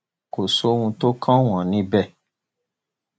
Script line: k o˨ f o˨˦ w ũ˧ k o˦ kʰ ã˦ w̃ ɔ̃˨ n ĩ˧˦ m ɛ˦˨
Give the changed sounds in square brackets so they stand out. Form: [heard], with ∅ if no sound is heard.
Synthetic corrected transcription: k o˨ [s] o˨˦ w ũ˧ [t] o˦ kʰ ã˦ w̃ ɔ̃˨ n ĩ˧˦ [b] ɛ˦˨

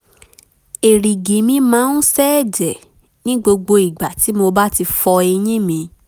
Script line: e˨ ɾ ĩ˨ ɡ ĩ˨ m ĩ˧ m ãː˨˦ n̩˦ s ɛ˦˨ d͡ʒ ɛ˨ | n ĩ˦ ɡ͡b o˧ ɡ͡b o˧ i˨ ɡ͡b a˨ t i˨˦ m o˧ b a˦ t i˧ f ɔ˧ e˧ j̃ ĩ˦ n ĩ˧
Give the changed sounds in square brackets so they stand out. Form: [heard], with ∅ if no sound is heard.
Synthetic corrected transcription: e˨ ɾ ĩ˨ ɡ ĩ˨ m ĩ˧ m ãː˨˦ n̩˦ s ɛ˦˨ d͡ʒ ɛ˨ | n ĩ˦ ɡ͡b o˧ ɡ͡b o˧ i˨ ɡ͡b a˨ t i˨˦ m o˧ b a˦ t i˧ f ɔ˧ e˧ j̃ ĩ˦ [m] ĩ˧

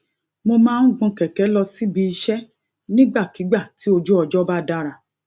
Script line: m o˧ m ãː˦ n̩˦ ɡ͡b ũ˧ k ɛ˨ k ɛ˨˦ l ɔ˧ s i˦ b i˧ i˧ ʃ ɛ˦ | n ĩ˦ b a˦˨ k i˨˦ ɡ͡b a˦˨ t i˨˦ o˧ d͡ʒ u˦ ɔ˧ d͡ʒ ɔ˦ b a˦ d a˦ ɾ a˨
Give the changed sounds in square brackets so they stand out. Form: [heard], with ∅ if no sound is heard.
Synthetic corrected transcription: m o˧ m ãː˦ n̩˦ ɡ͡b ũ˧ k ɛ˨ k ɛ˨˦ l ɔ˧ s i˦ b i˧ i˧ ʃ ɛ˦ | n ĩ˦ [ɡ͡b] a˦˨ k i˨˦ ɡ͡b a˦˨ t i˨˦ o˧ d͡ʒ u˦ ɔ˧ d͡ʒ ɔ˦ b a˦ d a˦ ɾ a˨

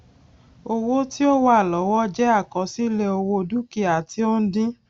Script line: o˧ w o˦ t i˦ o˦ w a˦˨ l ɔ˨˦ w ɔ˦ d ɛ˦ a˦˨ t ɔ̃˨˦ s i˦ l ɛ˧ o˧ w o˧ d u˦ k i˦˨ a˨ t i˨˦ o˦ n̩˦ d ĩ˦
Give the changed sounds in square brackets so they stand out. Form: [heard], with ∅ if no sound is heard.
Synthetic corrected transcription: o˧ w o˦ t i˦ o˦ w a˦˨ l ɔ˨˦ w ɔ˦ [d͡ʒ] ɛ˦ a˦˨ [k] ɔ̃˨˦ s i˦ l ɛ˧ o˧ w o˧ d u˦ k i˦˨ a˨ t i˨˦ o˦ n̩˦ d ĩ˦

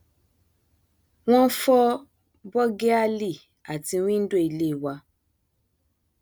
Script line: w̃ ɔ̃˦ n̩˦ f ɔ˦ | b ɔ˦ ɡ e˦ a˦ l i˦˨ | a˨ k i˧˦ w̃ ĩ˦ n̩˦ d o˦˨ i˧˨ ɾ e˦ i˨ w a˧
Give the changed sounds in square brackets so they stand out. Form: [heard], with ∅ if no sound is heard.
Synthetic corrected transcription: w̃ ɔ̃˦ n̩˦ f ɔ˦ | b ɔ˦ ɡ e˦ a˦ l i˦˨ | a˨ [t] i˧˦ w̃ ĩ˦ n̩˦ d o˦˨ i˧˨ [l] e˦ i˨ w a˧

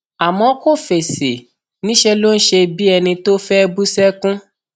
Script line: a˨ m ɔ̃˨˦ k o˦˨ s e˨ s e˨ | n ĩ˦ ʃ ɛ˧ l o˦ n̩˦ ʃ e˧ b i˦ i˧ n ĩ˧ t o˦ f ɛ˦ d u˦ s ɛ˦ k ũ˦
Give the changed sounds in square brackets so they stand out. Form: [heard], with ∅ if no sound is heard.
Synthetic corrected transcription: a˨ m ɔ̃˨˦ k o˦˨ [f] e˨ s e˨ | n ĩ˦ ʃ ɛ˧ l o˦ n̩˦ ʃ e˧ b i˦ [ɛ˧] n ĩ˧ t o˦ f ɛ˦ [b] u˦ s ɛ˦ k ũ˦

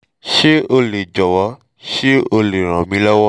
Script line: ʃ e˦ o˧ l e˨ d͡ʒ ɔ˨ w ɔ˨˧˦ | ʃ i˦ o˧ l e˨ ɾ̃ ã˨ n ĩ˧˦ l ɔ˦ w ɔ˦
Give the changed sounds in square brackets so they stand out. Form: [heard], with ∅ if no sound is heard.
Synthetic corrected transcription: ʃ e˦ o˧ l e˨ d͡ʒ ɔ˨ w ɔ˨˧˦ | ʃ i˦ o˧ l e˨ ɾ̃ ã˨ [m] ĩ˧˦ l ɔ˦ w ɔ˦

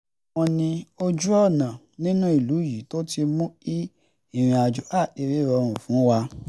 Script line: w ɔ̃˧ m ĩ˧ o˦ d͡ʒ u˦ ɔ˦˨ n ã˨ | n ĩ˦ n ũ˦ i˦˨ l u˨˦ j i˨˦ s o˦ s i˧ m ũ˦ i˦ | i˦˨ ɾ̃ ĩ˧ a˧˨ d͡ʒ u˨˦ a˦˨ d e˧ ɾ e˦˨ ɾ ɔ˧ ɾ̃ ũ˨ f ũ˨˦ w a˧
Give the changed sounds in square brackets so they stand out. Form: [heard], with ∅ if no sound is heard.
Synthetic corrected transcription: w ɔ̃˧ [n] ĩ˧ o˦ d͡ʒ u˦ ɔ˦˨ n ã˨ | n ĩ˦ n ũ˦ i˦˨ l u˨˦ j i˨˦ [t] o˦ [t] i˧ m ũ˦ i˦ | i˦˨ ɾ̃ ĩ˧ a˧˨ d͡ʒ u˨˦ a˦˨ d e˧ ɾ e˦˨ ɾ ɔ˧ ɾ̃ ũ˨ f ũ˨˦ w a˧

